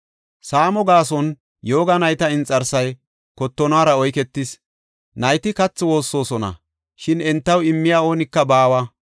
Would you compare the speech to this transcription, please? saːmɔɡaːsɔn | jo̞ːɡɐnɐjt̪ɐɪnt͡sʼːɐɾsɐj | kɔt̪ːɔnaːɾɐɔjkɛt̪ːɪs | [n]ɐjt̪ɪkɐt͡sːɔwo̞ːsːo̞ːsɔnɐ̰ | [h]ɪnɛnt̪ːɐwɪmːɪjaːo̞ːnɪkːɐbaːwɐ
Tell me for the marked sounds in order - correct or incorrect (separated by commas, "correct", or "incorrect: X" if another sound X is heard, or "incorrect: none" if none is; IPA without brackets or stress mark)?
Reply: correct, incorrect: ʃ